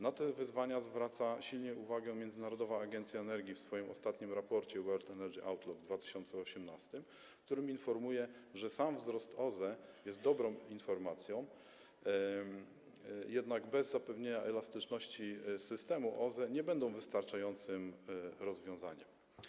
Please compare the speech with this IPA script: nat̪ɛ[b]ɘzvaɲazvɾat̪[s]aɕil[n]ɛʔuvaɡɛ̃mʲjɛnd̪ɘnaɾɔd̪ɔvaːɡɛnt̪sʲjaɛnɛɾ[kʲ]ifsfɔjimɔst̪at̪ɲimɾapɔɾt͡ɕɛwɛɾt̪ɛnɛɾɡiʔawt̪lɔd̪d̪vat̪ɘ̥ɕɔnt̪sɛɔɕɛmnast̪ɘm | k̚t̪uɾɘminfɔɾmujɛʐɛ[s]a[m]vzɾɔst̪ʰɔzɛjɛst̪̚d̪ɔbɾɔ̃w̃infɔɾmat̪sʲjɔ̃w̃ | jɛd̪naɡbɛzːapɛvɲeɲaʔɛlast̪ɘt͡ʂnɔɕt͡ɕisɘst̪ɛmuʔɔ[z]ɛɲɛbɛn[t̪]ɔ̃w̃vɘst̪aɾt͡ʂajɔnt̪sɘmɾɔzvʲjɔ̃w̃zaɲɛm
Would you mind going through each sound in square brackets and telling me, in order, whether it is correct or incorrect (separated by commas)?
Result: incorrect, correct, incorrect, incorrect, correct, correct, correct, incorrect